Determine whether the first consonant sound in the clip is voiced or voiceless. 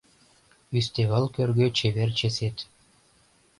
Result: voiceless